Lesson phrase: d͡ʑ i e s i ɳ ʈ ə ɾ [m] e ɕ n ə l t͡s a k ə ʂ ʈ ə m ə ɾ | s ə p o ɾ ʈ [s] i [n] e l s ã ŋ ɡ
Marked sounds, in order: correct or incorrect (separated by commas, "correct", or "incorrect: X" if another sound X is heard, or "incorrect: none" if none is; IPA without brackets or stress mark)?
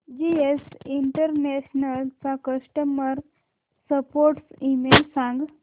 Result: incorrect: n, correct, incorrect: m